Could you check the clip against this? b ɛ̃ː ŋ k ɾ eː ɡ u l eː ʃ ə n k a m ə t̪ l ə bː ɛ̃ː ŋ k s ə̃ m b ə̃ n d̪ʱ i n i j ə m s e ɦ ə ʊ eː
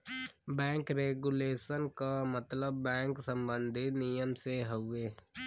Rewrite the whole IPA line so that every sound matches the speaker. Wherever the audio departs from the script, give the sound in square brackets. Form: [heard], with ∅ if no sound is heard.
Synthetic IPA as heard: b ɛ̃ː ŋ k ɾ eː ɡ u l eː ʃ ə n k a m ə t̪ l ə bː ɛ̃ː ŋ k s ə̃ m b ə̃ n d̪ʱ i n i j ə m s e ɦ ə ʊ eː